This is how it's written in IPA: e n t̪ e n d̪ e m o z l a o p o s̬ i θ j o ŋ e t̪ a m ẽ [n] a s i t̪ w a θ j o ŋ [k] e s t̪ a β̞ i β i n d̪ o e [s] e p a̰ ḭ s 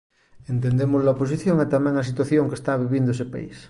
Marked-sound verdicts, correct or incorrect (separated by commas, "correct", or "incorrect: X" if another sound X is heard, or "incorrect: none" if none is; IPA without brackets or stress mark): incorrect: ŋ, correct, correct